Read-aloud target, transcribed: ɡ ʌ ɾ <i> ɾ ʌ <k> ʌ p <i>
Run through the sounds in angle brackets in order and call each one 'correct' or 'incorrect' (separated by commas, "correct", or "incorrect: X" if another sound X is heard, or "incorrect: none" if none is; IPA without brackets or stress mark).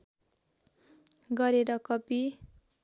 incorrect: e, correct, correct